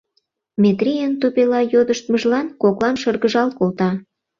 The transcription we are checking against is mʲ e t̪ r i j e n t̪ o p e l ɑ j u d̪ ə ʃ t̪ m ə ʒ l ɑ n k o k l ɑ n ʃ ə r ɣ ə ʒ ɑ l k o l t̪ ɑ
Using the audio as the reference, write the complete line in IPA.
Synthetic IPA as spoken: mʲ e t̪ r i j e n t̪ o p e l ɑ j o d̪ ə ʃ t̪ m ə ʒ l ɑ n k o k l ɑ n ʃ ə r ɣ ə ʒ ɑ l k o l t̪ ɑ

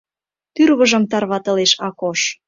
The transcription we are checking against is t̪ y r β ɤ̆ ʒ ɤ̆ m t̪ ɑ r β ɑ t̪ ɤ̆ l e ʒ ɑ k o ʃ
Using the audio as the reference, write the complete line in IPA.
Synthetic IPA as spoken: t̪ y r β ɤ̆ ʒ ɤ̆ m t̪ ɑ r β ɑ t̪ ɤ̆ l e ʃ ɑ k o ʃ

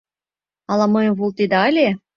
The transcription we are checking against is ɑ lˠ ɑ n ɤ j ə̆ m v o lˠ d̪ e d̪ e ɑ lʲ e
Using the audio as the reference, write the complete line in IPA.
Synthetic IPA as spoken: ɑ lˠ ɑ m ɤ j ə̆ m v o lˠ t̪ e d̪ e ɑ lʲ e

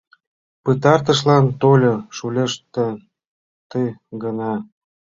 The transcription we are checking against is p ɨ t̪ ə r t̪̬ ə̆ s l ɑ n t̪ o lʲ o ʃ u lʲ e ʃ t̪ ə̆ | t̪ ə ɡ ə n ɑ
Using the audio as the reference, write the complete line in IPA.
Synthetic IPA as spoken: p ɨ t̪ ɑ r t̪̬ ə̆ ʃ l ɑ n t̪ o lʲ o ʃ u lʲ e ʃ t̪ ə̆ | t̪ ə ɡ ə n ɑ

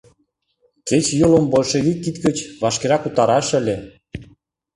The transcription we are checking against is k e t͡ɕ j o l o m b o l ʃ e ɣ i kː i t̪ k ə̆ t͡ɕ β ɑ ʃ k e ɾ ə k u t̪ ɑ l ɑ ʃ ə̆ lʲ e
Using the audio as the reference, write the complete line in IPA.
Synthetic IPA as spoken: k e t͡ɕ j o l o m b o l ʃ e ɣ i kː i t̪ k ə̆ t͡ɕ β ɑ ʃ k e ɾ ɑ k u t̪ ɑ ɾ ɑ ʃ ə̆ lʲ e

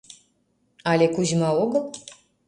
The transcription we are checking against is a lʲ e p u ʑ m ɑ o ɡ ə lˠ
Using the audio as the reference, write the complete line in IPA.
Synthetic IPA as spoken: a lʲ e k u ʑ m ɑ o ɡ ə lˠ

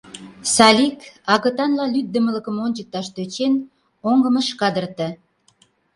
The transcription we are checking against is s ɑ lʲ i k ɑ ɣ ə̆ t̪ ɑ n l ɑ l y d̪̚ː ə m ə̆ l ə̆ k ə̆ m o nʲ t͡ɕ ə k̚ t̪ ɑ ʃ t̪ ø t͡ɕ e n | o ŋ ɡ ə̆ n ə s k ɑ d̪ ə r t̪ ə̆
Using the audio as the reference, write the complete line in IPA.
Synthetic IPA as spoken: s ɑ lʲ i k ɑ ɣ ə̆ t̪ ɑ n l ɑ l y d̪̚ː ə m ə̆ l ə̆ k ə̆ m o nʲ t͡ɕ ə k̚ t̪ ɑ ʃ t̪ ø t͡ɕ e n | o ŋ ɡ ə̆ m ə ʃ k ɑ d̪ ə r t̪ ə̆

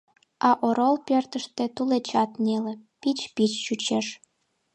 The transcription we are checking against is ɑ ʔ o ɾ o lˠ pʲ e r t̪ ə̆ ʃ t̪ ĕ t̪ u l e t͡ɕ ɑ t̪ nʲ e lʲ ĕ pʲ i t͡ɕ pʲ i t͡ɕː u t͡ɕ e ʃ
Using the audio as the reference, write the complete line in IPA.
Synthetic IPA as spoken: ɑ ʔ o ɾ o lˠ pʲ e r t̪ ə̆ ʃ t̪ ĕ t̪ u l e t͡ɕ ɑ t̪ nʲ e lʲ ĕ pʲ i t͡ɕ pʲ i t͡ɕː u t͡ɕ e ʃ

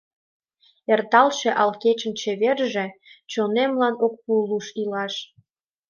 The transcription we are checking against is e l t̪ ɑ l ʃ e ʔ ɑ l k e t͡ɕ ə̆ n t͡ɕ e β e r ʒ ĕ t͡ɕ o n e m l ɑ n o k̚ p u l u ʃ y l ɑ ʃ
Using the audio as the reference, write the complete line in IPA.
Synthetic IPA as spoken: e r t̪ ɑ l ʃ e ʔ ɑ l k e t͡ɕ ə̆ n t͡ɕ e β e r ʒ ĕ t͡ɕ o n e m l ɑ n o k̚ p u l u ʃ i l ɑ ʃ

